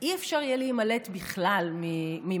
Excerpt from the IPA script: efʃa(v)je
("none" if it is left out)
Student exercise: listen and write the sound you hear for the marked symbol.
ʁ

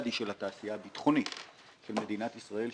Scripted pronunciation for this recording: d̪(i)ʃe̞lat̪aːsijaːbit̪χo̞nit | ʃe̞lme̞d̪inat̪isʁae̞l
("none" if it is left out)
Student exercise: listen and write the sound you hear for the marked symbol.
i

